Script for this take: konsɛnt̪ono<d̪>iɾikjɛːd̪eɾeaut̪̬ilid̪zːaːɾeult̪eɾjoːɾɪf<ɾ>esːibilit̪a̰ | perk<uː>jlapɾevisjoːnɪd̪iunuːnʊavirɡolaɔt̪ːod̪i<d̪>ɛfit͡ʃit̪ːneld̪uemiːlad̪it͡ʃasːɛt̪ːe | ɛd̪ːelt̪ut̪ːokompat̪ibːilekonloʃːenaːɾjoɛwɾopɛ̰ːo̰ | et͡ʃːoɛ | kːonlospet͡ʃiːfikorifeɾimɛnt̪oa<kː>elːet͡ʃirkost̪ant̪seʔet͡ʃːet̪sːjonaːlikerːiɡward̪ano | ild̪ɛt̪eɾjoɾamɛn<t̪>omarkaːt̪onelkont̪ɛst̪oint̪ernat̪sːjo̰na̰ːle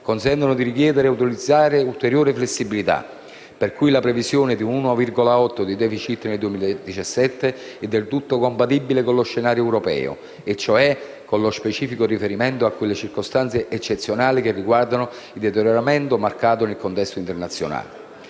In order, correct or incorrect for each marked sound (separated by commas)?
correct, incorrect, incorrect, correct, correct, correct